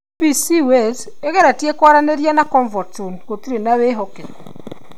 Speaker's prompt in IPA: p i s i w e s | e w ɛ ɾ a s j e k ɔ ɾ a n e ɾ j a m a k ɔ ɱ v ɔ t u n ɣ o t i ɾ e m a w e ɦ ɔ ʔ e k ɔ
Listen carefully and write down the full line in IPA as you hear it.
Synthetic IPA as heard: p i s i w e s | e ɣ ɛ ɾ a t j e k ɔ ɾ a n e ɾ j a n a k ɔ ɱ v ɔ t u n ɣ o t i ɾ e n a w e ɦ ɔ k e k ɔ